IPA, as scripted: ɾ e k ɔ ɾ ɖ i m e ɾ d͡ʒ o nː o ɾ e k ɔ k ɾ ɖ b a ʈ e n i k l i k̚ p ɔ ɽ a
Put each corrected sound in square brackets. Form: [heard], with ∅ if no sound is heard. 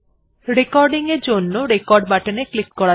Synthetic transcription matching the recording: ɾ e k ɔ ɾ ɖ i [ŋ] e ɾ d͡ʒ o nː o ɾ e k ɔ [∅] ɾ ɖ b a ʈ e n [e] k l i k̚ [k] ɔ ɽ a